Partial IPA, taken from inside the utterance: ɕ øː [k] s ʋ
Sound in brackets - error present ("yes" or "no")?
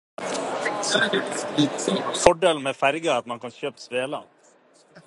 yes